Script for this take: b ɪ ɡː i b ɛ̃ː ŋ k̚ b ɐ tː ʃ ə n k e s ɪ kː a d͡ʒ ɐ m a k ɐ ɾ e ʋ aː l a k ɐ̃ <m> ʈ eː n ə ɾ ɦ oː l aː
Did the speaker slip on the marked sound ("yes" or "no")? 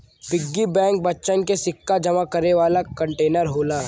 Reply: yes